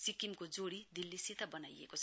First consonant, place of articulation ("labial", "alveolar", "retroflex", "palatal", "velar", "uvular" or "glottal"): alveolar